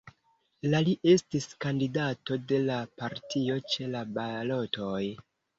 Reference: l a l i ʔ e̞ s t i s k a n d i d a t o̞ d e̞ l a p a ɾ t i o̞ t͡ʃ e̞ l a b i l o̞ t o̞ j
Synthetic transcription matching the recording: l a l i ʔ e̞ s t i s k a n d i d a t o̞ d e̞ l a p a ɾ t i o̞ t͡ʃ e̞ l a b a l o̞ t o̞ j